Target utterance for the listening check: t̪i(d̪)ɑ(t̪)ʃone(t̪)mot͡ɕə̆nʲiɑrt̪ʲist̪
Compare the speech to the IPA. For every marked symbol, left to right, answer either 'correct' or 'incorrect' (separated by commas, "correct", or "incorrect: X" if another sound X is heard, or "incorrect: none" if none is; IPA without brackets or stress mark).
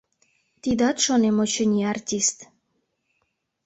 correct, correct, incorrect: none